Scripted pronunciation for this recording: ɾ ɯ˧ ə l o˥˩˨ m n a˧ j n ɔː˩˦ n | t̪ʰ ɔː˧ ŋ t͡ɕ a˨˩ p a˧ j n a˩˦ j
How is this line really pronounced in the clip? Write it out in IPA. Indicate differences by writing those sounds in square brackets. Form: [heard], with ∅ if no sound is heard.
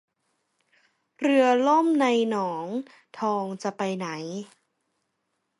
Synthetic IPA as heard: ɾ ɯ˧ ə l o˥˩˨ m n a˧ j n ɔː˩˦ [ŋ] | t̪ʰ ɔː˧ ŋ t͡ɕ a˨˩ p a˧ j n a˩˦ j